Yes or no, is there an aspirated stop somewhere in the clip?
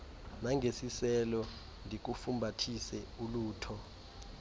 yes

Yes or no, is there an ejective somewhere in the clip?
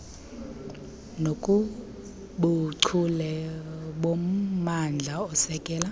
yes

